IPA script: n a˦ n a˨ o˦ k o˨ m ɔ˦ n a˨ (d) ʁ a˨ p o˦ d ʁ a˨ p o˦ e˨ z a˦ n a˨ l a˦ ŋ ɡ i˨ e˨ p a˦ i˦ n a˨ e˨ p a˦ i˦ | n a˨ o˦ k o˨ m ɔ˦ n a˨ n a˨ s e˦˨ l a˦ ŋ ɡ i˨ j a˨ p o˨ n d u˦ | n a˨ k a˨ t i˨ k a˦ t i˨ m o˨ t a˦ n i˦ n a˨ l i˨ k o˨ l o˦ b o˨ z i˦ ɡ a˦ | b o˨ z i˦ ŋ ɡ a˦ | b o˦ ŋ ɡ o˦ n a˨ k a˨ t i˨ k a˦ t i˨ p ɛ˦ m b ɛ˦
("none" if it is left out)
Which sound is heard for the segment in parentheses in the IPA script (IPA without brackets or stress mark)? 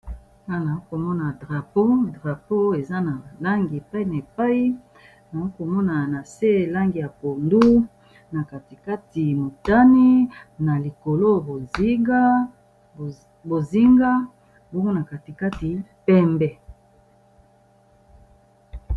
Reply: d